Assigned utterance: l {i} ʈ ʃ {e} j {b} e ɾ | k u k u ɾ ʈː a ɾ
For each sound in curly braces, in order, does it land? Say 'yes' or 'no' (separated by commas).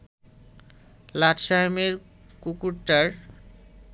no, no, no